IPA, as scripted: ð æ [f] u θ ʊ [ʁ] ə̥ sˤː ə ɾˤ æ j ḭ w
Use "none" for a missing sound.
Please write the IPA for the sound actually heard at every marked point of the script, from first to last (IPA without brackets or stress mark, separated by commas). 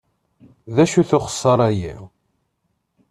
ʃ, χ